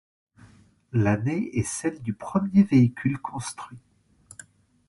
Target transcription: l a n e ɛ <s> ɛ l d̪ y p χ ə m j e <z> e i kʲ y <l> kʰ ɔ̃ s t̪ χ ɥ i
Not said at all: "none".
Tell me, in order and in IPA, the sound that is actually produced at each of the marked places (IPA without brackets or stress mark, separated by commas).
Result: s, v, l